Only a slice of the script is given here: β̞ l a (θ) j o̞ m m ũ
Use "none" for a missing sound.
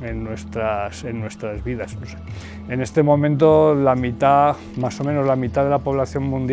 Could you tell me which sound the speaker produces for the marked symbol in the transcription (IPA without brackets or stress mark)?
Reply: θ